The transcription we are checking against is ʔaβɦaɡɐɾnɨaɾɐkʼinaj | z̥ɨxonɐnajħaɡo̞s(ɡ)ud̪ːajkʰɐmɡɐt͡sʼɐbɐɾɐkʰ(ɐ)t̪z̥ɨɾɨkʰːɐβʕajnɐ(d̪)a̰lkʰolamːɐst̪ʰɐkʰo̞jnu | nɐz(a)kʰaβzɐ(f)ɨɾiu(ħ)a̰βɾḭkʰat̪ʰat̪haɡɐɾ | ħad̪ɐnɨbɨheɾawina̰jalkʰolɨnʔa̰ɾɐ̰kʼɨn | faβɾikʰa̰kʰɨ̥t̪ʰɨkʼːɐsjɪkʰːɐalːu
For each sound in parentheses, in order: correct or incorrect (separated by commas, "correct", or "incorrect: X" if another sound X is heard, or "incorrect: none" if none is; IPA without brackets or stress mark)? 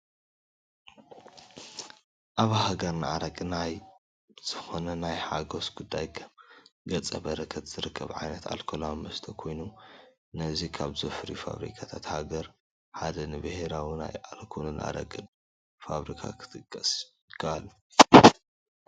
correct, correct, incorrect: t̪, incorrect: i, correct, incorrect: f